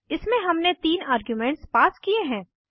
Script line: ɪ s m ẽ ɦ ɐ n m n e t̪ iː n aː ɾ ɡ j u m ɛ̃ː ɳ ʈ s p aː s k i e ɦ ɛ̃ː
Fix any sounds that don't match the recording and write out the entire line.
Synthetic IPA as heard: ɪ s m ẽ ɦ ɐ m n e t̪ iː n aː ɾ ɡ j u m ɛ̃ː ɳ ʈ s p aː s k i e ɦ ɛ̃ː